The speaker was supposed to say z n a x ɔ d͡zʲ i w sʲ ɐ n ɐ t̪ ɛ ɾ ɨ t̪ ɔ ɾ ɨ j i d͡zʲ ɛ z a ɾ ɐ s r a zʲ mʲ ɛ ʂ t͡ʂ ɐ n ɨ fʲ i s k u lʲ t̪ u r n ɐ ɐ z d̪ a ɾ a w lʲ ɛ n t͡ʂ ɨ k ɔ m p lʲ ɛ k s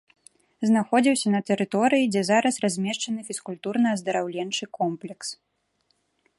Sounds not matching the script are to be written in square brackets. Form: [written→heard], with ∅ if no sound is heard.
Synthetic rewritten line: z n a x ɔ d͡zʲ i w sʲ ɐ n ɐ t̪ ɛ ɾ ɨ t̪ ɔ ɾ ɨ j i d͡zʲ ɛ z a ɾ ɐ s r a zʲ mʲ ɛ ʂ t͡ʂ ɐ n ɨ fʲ i s k u lʲ t̪ u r n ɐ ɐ z d̪ [a→ɐ] ɾ a w lʲ ɛ n t͡ʂ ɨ k ɔ m p lʲ ɛ k s

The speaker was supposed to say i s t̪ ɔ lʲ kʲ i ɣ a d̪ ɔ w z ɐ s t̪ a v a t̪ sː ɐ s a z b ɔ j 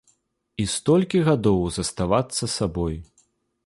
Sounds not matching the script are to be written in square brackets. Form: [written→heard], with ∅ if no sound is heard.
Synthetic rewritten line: i s t̪ ɔ lʲ kʲ i ɣ a d̪ ɔ w z ɐ s t̪ a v a t̪ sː ɐ s a [z→∅] b ɔ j

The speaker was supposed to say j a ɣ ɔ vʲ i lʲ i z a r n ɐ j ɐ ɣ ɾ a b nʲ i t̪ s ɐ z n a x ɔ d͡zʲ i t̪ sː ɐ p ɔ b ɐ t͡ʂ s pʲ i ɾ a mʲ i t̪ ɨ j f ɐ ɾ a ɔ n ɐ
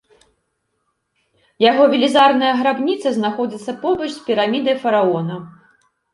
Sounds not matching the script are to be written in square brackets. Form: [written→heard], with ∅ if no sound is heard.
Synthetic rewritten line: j a ɣ ɔ vʲ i lʲ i z a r n ɐ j ɐ ɣ ɾ a b nʲ i t̪ s ɐ z n a x ɔ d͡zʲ i t̪ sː ɐ p ɔ b ɐ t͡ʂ s pʲ i ɾ a mʲ i [t̪→d̪] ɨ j f ɐ ɾ a ɔ n ɐ

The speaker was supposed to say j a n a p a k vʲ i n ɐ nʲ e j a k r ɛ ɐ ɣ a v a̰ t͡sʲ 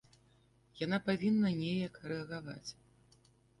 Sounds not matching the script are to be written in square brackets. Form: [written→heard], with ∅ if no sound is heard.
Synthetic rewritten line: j a n a p a [k→∅] vʲ i [n→nː] ɐ nʲ e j [a→ɐ] k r ɛ ɐ ɣ a v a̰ t͡sʲ

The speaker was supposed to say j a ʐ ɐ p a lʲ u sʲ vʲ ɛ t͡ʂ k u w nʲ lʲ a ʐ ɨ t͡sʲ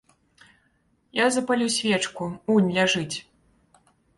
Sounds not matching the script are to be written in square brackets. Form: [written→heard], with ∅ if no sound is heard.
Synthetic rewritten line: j a [ʐ→z] ɐ p a lʲ u sʲ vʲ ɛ t͡ʂ k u [w→u] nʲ lʲ a ʐ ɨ t͡sʲ

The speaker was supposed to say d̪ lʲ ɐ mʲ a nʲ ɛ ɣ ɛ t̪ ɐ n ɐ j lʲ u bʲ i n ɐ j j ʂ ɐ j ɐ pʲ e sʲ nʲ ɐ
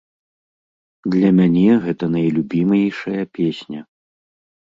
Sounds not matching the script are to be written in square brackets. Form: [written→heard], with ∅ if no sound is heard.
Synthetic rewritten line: d̪ lʲ ɐ mʲ a nʲ ɛ ɣ ɛ t̪ ɐ n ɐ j lʲ u bʲ i [n→m] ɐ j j ʂ ɐ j ɐ pʲ e sʲ nʲ ɐ

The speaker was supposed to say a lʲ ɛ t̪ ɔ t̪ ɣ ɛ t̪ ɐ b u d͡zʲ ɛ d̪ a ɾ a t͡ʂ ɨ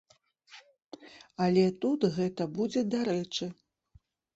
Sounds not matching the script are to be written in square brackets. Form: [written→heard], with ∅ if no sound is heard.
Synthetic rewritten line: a lʲ ɛ t̪ [ɔ→u] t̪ ɣ ɛ t̪ ɐ b u d͡zʲ ɛ d̪ a ɾ [a→ɛ] t͡ʂ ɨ

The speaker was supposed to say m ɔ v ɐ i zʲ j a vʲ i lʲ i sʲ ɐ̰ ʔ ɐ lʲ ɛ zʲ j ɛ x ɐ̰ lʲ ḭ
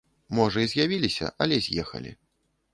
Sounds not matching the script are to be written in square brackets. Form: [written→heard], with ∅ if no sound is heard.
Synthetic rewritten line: m ɔ [v→ʐ] ɐ i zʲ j a vʲ i lʲ i sʲ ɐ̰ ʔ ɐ lʲ ɛ zʲ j ɛ x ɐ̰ lʲ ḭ

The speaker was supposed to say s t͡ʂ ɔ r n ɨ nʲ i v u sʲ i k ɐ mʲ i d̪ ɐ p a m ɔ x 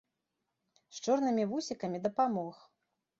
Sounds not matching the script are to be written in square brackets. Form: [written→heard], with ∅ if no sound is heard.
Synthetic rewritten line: s t͡ʂ ɔ r n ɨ [nʲ→mʲ] i v u sʲ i k ɐ mʲ i d̪ ɐ p a m ɔ x

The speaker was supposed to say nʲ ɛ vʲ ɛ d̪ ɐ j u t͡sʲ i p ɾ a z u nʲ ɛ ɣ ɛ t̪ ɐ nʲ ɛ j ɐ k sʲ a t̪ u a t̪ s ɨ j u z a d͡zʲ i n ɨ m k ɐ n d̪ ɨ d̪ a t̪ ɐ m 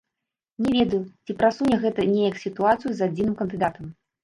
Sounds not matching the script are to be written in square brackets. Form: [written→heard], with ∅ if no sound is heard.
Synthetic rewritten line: nʲ ɛ vʲ ɛ d̪ ɐ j u t͡sʲ i p ɾ a [z→s] u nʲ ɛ ɣ ɛ t̪ ɐ nʲ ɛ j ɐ k sʲ [a→i] t̪ u a t̪ s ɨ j u z a d͡zʲ i n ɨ m k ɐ n d̪ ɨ d̪ a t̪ ɐ m

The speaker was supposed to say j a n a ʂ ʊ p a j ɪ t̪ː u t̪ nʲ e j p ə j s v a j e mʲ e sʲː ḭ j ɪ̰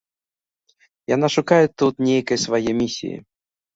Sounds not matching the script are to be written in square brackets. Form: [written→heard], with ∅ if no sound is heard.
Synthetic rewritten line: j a n a ʂ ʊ [p→k] a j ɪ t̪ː u t̪ nʲ e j [p→k] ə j s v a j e mʲ [e→i] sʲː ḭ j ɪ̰

